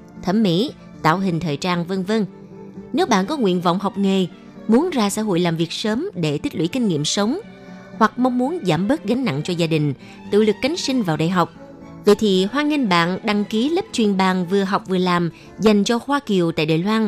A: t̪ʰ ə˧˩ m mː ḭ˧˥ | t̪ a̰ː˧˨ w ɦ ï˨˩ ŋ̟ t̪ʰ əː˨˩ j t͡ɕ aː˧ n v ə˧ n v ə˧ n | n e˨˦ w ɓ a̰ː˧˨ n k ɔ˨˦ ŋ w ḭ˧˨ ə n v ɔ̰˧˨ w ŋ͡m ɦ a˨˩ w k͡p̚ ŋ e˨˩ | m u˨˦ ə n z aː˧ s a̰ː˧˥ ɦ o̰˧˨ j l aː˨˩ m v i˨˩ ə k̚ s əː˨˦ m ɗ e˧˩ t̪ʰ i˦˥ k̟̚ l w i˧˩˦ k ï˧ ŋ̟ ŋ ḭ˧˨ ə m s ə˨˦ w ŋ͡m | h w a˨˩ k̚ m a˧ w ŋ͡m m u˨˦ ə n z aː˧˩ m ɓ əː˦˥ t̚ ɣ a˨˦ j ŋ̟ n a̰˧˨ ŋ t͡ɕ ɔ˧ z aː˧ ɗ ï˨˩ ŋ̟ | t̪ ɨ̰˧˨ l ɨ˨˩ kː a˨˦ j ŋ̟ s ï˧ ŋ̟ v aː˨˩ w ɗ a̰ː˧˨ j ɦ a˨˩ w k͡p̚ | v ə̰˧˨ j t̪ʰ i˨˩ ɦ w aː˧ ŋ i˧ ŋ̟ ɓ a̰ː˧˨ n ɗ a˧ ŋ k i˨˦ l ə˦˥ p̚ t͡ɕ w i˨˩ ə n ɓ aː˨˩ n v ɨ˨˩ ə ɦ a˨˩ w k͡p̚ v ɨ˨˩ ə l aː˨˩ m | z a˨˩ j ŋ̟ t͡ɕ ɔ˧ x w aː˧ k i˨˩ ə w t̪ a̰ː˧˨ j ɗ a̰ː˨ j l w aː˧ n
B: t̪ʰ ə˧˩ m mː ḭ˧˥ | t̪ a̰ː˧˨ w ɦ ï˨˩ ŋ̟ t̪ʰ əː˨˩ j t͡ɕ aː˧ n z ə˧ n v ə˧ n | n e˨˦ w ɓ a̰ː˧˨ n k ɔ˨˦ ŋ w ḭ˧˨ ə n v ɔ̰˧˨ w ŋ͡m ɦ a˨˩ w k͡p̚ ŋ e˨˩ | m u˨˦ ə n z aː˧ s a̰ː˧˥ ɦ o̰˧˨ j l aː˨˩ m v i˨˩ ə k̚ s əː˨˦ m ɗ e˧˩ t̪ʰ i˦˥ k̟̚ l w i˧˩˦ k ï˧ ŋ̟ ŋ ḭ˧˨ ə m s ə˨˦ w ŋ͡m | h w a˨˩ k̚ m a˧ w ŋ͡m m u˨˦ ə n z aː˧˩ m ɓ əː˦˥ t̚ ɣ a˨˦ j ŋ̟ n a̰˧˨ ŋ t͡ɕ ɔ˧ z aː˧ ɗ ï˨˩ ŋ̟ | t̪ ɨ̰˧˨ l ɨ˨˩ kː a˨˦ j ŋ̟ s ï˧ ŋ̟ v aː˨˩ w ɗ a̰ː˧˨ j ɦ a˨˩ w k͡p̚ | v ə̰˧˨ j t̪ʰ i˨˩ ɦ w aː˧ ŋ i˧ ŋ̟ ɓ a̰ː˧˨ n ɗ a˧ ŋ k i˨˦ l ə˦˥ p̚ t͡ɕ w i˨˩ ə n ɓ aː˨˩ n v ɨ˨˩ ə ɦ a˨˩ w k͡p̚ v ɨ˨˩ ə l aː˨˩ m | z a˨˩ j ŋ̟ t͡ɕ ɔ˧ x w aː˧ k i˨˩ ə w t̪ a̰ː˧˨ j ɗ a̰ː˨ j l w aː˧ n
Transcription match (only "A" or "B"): A